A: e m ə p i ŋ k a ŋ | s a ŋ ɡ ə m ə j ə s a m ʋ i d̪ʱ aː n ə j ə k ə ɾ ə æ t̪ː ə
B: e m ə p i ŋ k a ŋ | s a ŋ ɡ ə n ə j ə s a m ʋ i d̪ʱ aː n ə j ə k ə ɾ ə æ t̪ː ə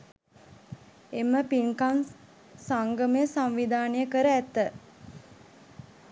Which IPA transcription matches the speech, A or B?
A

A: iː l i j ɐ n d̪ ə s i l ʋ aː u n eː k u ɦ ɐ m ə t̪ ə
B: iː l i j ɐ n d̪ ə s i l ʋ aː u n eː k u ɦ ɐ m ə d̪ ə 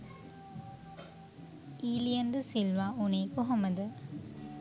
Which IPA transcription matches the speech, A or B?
B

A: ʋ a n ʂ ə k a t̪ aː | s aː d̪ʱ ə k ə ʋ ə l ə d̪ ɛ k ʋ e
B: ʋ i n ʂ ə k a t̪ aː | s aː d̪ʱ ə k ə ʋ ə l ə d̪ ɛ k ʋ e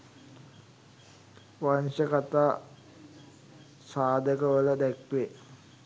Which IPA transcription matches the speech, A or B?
A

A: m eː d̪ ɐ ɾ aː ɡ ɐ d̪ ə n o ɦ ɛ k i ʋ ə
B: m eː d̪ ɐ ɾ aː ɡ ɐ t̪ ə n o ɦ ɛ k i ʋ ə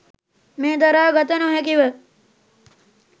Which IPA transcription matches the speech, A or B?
B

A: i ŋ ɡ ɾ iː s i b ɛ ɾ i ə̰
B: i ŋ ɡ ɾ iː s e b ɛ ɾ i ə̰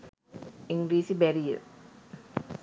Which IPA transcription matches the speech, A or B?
A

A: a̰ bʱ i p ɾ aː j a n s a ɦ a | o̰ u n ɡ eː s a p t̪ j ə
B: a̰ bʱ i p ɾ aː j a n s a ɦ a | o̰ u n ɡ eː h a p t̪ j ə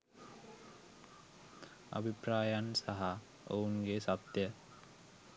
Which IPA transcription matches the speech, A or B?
A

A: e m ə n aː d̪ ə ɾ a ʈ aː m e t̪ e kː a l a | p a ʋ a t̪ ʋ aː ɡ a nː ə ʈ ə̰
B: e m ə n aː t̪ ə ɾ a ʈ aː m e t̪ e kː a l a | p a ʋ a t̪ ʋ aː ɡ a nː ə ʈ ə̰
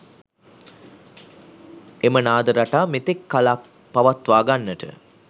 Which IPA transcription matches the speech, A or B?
A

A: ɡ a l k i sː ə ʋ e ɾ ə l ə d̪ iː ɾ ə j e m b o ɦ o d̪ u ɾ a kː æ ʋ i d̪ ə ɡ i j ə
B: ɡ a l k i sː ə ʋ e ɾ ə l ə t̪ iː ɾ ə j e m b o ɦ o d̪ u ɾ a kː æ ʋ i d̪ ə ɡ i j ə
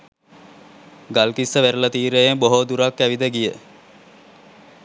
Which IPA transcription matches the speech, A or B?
B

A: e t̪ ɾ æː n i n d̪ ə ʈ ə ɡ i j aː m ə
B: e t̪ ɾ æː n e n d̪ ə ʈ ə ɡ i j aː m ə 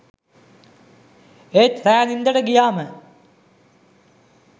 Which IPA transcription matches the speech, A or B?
A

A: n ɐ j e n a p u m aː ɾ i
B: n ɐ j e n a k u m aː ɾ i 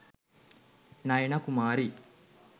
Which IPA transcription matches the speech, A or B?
B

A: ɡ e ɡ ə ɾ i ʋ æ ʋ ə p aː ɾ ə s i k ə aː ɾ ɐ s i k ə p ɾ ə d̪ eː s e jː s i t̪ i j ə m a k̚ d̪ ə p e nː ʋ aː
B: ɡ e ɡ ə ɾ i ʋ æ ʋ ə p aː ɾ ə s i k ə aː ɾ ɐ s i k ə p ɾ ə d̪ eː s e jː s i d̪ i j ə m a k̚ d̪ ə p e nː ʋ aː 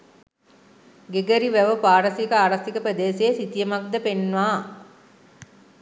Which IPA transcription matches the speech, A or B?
A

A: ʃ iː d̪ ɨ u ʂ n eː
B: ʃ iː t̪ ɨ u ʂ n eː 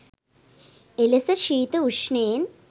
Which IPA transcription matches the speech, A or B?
B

